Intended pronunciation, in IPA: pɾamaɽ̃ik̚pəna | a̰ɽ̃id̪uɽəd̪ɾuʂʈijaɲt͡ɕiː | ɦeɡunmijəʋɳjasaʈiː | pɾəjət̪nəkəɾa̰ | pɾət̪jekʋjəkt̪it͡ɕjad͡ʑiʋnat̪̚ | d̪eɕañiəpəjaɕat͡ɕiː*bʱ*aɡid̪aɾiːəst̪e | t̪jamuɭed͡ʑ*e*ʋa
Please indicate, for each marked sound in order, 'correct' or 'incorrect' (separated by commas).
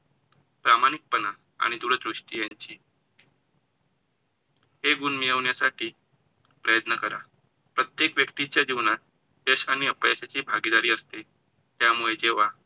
correct, correct